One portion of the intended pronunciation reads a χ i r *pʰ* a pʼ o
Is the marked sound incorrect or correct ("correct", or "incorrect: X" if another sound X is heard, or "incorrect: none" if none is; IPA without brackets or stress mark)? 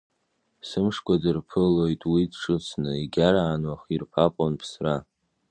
correct